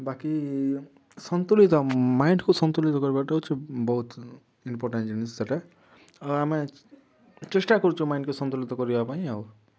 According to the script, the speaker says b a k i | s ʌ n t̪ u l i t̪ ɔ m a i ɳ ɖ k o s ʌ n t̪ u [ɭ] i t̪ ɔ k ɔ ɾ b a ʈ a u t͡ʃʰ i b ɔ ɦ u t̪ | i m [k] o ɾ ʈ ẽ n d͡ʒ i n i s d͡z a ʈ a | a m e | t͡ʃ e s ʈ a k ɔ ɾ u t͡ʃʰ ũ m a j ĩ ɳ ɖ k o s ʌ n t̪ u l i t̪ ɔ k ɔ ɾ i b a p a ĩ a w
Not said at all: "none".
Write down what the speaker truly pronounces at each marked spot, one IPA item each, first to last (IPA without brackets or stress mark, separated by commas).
l, p